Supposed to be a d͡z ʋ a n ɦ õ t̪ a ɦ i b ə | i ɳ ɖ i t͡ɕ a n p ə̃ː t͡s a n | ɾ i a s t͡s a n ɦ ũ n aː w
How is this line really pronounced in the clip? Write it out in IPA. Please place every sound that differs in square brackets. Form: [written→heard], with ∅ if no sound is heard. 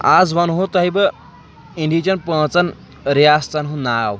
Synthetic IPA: a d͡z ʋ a n ɦ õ t̪ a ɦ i b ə | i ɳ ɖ i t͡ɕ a n p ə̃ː t͡s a n | ɾ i a s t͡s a n ɦ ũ n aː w